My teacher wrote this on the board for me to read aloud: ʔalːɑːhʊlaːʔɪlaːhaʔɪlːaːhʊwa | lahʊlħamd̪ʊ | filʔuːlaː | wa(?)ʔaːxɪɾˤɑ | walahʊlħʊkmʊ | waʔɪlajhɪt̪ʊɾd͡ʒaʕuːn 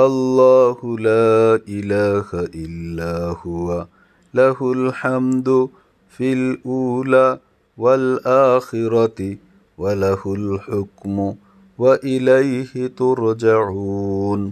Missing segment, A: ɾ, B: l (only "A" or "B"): B